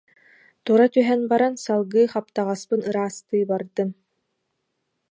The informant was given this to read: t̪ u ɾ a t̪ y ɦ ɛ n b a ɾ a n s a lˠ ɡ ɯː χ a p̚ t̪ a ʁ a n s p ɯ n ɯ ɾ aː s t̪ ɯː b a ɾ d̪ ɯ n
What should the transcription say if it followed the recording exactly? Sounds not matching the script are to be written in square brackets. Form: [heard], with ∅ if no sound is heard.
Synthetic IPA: t̪ u ɾ a t̪ y ɦ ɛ n b a ɾ a n s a lˠ ɡ ɯː χ a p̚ t̪ a ʁ a [∅] s p ɯ n ɯ ɾ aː s t̪ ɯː b a ɾ d̪ ɯ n